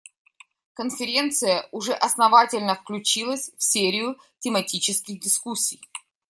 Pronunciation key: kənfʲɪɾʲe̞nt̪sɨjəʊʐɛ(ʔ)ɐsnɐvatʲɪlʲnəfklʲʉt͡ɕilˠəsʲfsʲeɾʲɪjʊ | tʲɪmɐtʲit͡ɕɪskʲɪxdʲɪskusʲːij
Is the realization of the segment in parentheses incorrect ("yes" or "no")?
no